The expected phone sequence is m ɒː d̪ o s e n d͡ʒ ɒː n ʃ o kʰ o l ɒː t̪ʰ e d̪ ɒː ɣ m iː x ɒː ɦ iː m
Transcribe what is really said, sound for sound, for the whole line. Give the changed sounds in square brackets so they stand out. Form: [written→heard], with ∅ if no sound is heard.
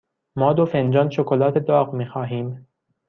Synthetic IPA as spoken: m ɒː d̪ o [s→f] e n d͡ʒ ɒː n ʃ o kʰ o l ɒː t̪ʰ e d̪ ɒː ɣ m iː x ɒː ɦ iː m